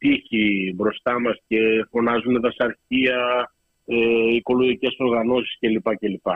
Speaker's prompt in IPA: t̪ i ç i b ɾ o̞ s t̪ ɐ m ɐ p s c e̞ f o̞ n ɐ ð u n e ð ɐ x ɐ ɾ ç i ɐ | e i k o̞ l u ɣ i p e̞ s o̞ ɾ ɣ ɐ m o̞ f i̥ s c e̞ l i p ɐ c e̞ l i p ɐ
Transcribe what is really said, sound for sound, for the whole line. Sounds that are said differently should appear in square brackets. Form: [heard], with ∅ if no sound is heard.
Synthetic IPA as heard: t̪ i ç i b ɾ o̞ s t̪ ɐ m ɐ [∅] s c e̞ f o̞ n ɐ [z] u n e ð ɐ [s] ɐ ɾ ç i ɐ | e i k o̞ l [o] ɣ i [c] e̞ s o̞ ɾ ɣ ɐ [n] o̞ [s] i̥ s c e̞ l i p ɐ c e̞ l i p ɐ